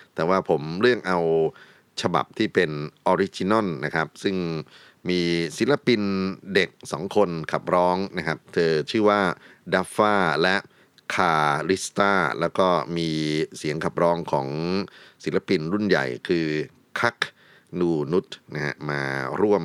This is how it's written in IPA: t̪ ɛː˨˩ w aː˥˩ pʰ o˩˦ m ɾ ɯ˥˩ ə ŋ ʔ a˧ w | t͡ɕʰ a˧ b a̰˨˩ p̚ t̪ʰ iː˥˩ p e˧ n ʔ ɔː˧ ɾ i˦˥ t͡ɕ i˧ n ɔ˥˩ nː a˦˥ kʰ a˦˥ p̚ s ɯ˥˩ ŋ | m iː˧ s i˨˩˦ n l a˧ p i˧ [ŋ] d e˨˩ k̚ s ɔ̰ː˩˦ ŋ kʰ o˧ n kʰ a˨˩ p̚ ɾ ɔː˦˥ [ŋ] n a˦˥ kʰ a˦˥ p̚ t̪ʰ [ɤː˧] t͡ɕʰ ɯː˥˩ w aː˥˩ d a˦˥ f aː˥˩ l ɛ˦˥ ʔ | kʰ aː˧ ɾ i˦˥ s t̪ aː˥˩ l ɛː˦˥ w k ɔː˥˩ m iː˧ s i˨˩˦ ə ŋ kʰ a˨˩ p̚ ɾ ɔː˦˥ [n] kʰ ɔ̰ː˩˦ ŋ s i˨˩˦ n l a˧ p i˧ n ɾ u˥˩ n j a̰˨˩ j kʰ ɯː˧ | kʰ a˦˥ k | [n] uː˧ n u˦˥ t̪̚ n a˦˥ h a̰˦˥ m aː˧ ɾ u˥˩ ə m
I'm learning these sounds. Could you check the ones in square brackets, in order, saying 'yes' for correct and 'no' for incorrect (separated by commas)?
no, yes, yes, no, yes